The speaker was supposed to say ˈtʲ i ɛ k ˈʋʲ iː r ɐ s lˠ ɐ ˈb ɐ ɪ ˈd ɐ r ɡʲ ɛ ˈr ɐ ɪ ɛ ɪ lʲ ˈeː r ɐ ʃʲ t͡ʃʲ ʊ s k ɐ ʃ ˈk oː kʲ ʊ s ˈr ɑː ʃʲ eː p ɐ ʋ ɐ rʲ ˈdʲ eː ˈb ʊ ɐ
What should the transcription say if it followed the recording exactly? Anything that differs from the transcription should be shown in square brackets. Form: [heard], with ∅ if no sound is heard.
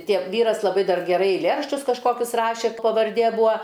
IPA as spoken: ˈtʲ i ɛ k ˈʋʲ iː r ɐ s lˠ ɐ ˈb ɐ ɪ ˈd ɐ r ɡʲ ɛ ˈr ɐ ɪ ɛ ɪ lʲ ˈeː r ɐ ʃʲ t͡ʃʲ ʊ s k ɐ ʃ ˈk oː kʲ ʊ s ˈr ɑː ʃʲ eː p ɐ ʋ ɐ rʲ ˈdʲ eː ˈb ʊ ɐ